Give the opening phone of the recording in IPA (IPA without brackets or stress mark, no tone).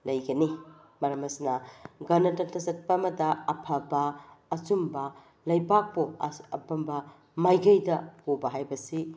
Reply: l